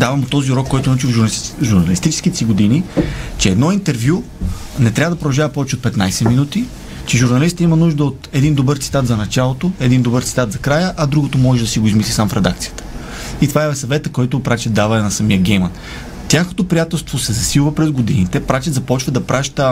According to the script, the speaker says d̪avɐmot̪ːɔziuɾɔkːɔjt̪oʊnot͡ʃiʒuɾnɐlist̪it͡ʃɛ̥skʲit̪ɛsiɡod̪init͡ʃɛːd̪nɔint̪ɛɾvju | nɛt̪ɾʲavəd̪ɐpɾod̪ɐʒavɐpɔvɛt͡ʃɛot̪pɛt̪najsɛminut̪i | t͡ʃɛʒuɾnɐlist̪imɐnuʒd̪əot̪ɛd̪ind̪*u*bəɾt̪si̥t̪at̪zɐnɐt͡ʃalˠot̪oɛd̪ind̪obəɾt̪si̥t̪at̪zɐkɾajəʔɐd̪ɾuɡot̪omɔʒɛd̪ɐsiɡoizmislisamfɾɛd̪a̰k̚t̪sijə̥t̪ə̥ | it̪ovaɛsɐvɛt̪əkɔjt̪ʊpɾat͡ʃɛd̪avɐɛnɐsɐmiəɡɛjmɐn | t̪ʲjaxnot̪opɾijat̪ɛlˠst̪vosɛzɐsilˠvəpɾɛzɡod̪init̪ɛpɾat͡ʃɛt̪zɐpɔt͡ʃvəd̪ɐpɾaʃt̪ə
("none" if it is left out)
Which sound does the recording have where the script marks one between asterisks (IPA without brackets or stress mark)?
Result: o